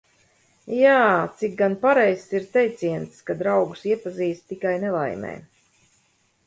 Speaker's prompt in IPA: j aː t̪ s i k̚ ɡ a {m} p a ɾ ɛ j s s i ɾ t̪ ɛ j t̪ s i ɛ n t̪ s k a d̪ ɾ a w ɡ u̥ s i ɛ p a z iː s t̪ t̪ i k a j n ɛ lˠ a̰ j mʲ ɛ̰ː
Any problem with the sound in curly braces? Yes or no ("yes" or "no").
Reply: yes